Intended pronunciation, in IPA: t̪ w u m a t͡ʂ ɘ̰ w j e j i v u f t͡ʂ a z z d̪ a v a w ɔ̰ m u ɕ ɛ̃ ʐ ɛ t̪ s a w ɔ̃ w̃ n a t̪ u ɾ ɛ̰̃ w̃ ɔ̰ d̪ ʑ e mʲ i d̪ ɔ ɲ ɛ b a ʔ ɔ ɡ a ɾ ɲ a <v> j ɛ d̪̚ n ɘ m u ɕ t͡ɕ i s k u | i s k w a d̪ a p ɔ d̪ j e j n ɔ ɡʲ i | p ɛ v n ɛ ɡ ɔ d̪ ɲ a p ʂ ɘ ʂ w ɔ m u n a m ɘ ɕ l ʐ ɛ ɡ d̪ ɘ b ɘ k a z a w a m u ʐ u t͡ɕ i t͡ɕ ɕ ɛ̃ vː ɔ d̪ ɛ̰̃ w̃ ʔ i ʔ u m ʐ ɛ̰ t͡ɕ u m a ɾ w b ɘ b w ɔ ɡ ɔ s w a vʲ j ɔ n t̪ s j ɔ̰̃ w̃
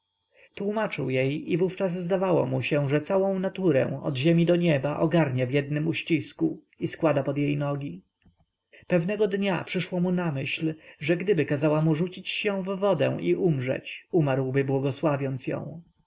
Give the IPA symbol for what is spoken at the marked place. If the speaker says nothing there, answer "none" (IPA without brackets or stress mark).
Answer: v